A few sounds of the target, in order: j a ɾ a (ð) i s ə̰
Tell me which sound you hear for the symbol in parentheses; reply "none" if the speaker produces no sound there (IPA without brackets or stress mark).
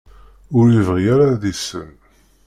ð